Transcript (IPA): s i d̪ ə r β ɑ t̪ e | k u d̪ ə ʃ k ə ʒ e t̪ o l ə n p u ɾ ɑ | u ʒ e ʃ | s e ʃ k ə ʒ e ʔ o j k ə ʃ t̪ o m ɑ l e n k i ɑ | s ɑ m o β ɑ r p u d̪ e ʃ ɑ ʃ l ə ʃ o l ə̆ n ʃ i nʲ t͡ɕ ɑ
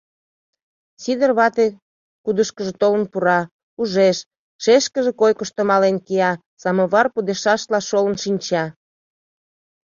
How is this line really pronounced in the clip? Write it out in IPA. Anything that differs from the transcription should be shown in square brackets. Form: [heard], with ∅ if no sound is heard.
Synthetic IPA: s i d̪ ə r β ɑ t̪ e | k u d̪ ə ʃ k ə ʒ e t̪ o l ə n p u ɾ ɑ | u ʒ e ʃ | [ʃ] e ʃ k ə ʒ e [k] o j k ə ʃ t̪ o m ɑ l e n k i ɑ | s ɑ m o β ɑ r p u d̪ e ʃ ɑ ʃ l [ɑ] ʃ o l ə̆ n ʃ i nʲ t͡ɕ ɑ

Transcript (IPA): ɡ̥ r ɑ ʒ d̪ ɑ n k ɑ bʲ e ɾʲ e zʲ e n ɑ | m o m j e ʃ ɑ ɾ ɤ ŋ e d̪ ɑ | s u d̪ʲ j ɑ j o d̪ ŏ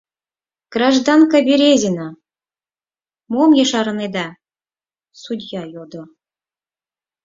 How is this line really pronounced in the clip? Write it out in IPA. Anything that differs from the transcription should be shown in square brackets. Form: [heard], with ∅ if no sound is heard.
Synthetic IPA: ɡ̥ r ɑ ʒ d̪ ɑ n k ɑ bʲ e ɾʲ e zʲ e n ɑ | m o m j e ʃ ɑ ɾ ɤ [n] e d̪ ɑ | s u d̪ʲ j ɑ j o d̪ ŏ

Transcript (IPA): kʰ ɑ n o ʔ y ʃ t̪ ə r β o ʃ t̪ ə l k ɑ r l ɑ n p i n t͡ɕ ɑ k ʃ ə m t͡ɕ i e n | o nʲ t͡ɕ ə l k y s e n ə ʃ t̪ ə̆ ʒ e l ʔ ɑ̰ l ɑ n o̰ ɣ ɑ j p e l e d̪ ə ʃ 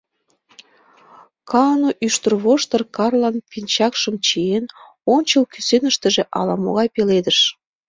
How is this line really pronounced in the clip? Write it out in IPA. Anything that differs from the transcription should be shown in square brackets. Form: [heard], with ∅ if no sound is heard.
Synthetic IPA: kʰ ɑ n o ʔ y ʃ t̪ ə r β o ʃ t̪ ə [r] k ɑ r l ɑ n p i n t͡ɕ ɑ k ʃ ə m t͡ɕ i e n | o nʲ t͡ɕ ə l k y s e n ə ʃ t̪ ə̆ ʒ e [∅] ʔ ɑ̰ l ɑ [m] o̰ ɣ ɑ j p e l e d̪ ə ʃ

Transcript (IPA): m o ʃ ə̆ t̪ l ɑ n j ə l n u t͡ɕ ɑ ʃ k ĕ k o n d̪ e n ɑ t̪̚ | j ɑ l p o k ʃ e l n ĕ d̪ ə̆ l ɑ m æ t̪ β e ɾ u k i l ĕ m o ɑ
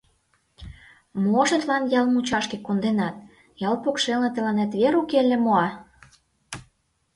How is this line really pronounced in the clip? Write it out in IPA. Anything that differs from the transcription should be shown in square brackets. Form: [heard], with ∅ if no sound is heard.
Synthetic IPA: m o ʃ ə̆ t̪ l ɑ n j [ɑ] l [m] u t͡ɕ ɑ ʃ k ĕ k o n d̪ e n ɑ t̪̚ | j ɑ l p o k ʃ e l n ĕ [t̪] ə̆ l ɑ [n] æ t̪ β e ɾ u k [e] l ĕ m o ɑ

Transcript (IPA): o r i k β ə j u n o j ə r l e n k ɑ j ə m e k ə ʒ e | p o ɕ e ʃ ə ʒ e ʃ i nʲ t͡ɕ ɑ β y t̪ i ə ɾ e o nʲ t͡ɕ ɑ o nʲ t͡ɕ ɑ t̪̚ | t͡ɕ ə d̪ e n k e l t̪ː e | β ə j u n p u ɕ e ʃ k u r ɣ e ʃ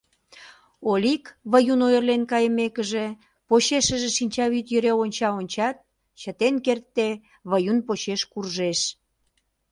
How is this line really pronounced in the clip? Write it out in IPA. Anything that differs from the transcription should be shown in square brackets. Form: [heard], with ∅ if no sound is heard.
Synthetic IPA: o [l] i k β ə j u n o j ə r l e n k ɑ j ə m e k ə ʒ e | p o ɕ e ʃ ə ʒ e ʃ i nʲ t͡ɕ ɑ β y t̪ [j] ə ɾ e o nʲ t͡ɕ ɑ o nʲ t͡ɕ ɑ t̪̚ | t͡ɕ ə [t̪] e n k e [r] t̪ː e | β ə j u n p [o] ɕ e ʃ k u r [ʒ] e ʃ

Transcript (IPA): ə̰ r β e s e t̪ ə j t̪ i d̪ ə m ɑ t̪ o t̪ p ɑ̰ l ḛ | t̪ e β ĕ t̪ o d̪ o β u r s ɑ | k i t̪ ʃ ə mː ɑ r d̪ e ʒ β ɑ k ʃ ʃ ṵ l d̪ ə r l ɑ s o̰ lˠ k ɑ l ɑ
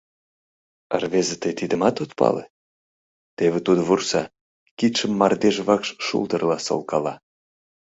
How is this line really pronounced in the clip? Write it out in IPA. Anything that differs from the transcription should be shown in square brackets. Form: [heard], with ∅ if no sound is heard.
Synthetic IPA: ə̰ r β e [z] e t̪ ə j t̪ i d̪ ə m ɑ t̪ o t̪ p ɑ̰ l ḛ | t̪ e β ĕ t̪ [u] d̪ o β u r s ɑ | k i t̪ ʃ ə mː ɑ r d̪ e ʒ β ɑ k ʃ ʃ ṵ l d̪ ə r l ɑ s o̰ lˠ k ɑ l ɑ

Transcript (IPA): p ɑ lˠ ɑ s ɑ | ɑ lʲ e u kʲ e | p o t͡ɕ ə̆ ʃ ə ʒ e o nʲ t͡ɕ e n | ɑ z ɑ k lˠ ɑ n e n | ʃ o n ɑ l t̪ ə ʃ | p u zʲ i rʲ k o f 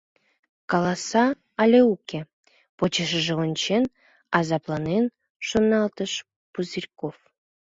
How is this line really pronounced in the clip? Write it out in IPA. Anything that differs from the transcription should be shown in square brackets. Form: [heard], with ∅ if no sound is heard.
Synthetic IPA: [k] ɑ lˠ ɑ s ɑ | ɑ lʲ e u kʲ e | p o t͡ɕ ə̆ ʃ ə ʒ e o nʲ t͡ɕ e n | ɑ z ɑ [p] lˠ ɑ n e n | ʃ o n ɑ l t̪ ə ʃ | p u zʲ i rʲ k o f

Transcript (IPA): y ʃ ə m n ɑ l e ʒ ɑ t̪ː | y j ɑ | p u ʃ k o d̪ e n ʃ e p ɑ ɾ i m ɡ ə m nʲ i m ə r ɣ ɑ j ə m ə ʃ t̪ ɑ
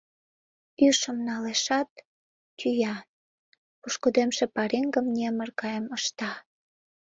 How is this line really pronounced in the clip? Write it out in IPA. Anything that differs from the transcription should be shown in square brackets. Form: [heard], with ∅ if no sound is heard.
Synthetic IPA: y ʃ ə m n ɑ l e [ʃ] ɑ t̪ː | y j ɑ | p u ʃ k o d̪ e [m] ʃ e p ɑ ɾ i [ŋ] ɡ ə m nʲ [e] m ə r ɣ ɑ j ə m ə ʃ t̪ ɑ

